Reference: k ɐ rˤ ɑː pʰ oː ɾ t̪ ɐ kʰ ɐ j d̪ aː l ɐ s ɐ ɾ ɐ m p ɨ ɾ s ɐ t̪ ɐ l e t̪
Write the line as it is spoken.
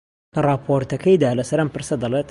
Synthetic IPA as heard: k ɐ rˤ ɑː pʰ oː ɾ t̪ ɐ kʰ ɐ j d̪ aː l ɐ s ɐ ɾ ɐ m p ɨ ɾ s ɐ d̪ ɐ l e t̪